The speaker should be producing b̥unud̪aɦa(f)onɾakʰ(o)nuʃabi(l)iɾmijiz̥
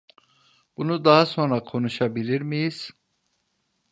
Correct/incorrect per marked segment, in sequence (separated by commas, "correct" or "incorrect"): incorrect, correct, correct